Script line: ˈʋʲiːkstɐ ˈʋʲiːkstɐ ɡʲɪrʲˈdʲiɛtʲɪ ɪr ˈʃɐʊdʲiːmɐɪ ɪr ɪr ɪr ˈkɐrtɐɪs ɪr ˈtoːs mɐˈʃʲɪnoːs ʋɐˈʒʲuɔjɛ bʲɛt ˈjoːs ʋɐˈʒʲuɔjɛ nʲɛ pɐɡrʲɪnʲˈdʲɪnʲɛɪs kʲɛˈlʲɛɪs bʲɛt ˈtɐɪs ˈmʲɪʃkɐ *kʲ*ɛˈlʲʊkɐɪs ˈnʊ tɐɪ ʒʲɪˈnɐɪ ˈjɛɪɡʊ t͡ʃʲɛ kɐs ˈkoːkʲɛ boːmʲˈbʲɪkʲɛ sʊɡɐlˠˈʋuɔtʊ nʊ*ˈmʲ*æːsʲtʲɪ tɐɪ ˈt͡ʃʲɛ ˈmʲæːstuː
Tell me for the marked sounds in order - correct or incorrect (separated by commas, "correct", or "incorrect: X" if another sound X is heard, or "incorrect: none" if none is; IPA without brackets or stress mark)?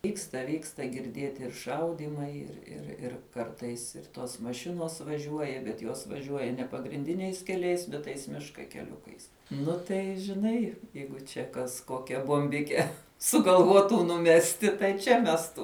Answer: correct, correct